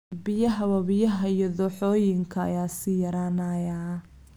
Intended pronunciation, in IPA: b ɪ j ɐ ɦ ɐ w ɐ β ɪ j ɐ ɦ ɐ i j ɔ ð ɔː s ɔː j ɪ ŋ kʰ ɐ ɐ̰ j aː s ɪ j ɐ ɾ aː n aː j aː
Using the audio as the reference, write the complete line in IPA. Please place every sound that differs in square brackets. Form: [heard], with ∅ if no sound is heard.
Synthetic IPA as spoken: b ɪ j ɐ ɦ ɐ w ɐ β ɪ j ɐ ɦ ɐ i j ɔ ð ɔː [ħ] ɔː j ɪ ŋ kʰ ɐ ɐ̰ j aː s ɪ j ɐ ɾ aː n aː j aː